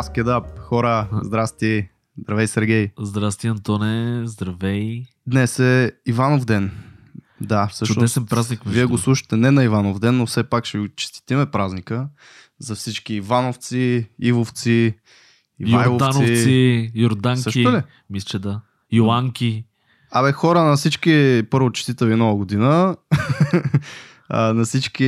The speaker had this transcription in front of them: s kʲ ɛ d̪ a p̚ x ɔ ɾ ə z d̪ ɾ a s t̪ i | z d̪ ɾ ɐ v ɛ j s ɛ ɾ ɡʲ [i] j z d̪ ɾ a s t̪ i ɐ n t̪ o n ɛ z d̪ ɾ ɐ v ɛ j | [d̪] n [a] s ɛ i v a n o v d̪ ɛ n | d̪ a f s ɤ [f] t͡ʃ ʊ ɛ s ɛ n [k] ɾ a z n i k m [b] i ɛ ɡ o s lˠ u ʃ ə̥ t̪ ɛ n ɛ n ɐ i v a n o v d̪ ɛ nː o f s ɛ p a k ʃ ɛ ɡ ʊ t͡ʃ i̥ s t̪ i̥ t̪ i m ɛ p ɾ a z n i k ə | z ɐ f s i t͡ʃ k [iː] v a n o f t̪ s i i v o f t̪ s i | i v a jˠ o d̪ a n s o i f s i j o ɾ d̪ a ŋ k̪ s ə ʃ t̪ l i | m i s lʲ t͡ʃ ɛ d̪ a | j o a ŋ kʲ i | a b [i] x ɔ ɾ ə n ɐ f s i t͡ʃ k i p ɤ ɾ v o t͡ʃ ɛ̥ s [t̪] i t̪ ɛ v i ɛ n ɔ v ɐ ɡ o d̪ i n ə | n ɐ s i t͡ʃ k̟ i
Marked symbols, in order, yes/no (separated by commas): no, yes, no, no, no, no, yes, no, yes